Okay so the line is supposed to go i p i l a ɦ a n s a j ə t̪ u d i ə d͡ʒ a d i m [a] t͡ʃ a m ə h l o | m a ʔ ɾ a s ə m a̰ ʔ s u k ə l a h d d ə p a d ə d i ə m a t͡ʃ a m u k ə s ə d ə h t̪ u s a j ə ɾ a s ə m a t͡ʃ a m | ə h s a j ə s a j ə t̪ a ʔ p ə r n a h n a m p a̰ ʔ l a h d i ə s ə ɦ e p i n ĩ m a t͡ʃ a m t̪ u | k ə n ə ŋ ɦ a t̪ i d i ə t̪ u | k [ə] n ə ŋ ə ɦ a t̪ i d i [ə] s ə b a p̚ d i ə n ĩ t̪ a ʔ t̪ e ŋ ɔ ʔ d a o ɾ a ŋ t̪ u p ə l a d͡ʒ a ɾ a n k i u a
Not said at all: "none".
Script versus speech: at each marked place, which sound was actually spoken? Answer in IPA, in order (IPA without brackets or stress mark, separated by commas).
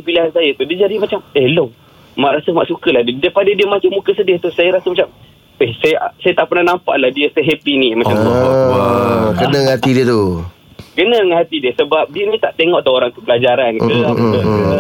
a, ə, ə